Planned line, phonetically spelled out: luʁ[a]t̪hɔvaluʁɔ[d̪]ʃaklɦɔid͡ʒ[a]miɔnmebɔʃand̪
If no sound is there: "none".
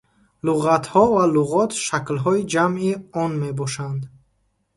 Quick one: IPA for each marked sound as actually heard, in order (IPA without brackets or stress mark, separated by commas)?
a, t̪, a